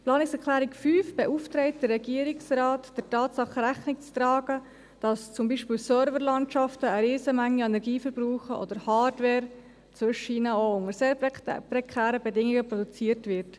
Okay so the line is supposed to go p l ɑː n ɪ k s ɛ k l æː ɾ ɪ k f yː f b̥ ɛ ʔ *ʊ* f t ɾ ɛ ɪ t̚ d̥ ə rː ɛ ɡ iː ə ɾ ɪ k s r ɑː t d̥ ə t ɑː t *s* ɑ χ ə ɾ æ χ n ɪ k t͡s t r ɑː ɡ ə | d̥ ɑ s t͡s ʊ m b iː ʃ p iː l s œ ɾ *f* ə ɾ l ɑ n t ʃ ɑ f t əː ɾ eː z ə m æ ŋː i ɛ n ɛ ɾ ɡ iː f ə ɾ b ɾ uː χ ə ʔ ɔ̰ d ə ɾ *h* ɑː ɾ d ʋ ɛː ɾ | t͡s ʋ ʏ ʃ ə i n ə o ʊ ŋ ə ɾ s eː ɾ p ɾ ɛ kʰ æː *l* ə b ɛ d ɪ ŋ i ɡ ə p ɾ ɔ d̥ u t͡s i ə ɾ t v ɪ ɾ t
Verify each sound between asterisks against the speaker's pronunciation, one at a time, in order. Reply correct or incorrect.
incorrect, correct, incorrect, correct, incorrect

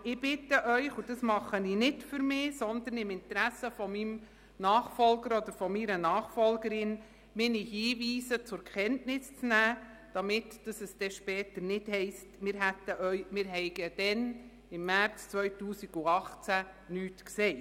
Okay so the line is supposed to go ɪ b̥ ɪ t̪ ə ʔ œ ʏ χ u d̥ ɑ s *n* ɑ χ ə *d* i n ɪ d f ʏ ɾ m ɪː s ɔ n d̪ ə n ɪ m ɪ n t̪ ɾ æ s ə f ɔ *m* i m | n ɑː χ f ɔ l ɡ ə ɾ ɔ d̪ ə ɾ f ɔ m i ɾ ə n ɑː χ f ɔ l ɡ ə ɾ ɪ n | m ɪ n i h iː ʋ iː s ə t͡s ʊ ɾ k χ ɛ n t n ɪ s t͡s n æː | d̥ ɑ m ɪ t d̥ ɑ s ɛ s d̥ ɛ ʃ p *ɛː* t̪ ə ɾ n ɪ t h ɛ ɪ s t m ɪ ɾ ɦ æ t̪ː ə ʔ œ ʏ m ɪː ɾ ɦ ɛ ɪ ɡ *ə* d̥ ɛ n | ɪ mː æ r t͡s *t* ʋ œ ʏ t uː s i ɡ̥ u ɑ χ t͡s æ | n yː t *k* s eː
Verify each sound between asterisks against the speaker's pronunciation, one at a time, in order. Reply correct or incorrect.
incorrect, incorrect, correct, correct, correct, incorrect, correct

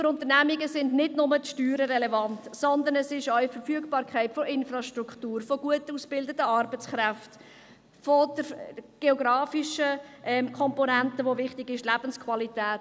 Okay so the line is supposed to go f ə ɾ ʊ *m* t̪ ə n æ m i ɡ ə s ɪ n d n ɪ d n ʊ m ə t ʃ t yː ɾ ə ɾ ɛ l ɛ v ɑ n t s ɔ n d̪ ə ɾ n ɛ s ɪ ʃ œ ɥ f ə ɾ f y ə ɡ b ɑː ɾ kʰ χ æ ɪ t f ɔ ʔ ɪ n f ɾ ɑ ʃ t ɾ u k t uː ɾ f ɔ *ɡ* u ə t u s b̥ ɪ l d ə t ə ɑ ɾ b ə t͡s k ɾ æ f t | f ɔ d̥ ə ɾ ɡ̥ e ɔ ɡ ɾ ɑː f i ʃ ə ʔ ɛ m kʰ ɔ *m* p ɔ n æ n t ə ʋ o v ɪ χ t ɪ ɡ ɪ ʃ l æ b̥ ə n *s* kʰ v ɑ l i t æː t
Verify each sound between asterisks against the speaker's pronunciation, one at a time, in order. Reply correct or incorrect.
incorrect, correct, correct, correct

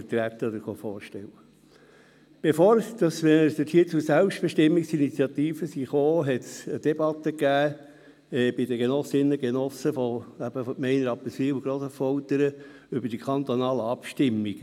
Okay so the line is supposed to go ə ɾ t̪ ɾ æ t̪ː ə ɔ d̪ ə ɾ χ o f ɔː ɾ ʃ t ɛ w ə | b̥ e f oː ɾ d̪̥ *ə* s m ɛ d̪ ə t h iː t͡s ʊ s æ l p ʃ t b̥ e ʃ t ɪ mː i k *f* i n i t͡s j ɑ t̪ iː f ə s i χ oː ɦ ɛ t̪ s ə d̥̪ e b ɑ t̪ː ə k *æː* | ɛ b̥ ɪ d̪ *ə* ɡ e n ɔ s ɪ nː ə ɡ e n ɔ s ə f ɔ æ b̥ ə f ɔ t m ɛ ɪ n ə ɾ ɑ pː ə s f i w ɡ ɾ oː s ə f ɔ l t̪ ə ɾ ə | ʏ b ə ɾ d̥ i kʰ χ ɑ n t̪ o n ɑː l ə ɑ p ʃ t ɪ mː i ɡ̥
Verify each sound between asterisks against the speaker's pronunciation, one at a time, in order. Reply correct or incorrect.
incorrect, incorrect, correct, correct

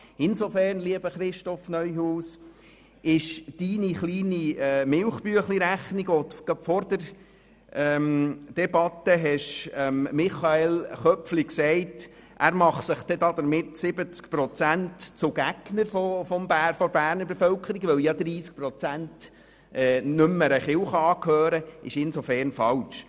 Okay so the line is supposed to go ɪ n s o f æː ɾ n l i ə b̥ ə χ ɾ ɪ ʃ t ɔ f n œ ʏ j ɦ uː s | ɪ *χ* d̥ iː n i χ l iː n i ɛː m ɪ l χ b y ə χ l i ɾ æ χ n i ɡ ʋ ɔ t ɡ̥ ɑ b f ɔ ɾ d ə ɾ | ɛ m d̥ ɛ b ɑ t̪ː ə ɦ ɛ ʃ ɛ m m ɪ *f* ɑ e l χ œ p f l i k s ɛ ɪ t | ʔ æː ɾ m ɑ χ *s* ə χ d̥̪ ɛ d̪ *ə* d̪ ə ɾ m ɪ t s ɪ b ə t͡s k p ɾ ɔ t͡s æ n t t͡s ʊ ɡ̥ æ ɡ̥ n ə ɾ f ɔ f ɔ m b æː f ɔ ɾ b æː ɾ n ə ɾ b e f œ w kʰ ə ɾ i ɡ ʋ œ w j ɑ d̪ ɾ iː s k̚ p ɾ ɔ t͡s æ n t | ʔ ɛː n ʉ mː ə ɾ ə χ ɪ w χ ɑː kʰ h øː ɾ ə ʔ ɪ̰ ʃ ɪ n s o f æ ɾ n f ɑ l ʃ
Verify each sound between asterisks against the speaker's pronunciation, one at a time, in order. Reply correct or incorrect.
incorrect, incorrect, correct, incorrect

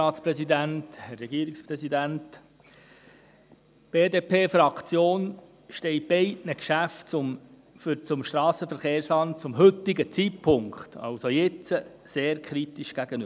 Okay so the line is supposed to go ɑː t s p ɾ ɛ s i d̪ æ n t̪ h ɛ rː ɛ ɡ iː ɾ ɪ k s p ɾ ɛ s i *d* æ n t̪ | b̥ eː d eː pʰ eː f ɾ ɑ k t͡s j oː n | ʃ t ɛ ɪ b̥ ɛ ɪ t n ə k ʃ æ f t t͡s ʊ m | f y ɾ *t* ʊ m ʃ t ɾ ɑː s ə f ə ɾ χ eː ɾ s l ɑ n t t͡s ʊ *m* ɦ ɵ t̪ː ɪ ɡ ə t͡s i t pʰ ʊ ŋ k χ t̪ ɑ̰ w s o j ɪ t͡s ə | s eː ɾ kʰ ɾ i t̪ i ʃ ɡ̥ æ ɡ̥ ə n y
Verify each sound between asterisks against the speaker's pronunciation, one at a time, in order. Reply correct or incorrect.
correct, incorrect, correct

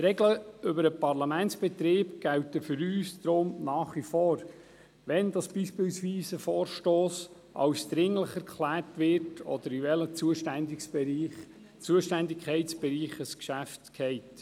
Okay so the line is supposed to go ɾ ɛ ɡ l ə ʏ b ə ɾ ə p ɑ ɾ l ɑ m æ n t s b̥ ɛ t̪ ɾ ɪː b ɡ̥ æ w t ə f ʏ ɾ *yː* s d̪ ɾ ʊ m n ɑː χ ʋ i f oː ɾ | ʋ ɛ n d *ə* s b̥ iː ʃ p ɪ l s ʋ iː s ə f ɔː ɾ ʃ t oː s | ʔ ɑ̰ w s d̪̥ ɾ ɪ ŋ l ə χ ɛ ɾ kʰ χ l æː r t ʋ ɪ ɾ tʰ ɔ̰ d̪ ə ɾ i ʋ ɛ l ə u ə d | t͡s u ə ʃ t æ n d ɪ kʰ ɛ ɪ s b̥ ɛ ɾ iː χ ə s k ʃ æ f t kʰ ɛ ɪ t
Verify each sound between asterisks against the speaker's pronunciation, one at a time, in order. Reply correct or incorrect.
correct, incorrect

